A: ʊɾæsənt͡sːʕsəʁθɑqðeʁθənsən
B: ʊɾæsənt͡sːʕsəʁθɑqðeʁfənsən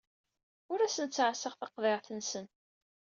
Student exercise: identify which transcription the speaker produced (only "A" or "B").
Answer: A